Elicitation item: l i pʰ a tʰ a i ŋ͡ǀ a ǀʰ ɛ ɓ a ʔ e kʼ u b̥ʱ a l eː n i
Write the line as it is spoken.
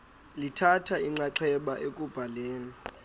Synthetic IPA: l i tʰ a tʰ a i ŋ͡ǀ a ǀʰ ɛ ɓ a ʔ e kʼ u b̥ʱ a l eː n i